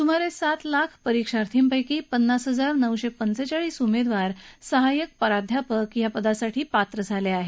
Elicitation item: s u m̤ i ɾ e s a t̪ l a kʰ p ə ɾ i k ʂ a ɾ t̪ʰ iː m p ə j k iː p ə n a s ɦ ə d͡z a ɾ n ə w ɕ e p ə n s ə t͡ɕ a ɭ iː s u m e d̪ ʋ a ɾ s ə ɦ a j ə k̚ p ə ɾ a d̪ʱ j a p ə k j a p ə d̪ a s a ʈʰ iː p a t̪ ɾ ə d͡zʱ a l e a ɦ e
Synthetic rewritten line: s u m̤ a ɾ e s a t̪ l a kʰ p ə ɾ i k ʂ a ɾ t̪ʰ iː m p ə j k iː p ə nː a s ɦ ə d͡z a ɾ n ə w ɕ e p ə n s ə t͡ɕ a ɭ iː s u m e d̪ ʋ a ɾ s ə ɦ a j ə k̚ p ə ɾ a d̪ʱ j a p ə k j a p ə d̪ a s a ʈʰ iː p a t̪ ɾ ə d͡zʱ a l e a ɦ e